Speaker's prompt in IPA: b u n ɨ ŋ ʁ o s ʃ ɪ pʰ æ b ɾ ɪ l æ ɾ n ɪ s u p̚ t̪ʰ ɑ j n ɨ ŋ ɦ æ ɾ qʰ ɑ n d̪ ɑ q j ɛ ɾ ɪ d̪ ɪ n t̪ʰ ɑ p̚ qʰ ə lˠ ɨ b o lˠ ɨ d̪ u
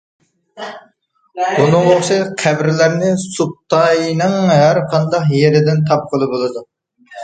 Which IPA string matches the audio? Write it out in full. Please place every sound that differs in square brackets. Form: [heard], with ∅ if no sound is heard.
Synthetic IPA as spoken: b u n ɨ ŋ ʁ o [χ] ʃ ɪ [qʰ] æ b ɾ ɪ l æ ɾ n ɪ s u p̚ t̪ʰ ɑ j n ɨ ŋ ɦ æ ɾ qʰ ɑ n d̪ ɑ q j [e] ɾ ɪ d̪ ɪ n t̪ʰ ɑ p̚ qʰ ə lˠ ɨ b o lˠ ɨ d̪ u